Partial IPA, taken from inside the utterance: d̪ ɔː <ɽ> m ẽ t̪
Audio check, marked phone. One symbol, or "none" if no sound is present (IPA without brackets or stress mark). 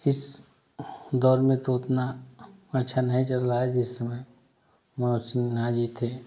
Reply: ɾ